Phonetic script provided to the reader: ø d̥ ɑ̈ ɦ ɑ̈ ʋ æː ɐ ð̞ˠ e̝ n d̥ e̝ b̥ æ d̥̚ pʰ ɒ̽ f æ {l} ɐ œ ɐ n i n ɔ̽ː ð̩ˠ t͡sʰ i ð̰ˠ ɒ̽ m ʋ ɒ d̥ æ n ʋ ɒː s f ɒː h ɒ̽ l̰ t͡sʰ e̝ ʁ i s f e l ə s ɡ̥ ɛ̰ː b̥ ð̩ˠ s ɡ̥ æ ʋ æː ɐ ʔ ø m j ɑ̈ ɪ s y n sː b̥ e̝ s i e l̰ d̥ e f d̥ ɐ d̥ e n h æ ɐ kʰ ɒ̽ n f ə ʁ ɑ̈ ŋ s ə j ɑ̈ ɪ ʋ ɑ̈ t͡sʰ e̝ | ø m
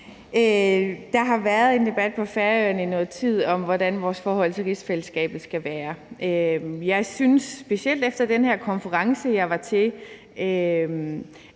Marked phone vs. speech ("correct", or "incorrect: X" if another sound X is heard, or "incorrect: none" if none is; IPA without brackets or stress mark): incorrect: none